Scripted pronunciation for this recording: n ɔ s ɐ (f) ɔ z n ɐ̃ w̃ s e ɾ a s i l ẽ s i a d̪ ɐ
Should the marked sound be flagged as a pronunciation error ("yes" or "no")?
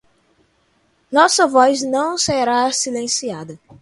yes